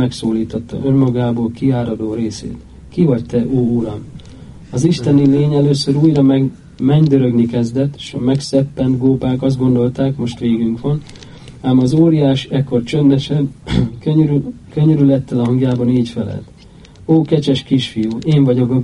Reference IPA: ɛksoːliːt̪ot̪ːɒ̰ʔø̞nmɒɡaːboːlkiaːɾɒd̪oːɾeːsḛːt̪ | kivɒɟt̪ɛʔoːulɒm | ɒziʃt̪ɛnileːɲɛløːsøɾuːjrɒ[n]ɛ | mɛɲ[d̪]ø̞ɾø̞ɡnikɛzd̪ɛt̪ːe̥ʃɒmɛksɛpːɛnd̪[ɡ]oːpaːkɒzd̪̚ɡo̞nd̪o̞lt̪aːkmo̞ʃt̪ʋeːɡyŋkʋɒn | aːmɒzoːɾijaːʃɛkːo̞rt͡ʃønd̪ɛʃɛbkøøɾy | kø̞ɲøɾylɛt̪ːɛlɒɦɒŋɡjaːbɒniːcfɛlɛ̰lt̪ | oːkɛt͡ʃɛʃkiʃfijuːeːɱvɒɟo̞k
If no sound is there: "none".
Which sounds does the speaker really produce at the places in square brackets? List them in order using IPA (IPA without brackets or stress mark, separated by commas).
m, d̪, ɡ